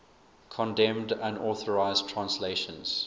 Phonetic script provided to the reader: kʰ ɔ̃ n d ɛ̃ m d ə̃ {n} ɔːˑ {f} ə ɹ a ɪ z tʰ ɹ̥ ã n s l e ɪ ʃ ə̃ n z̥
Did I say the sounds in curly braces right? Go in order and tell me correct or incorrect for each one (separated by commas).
correct, incorrect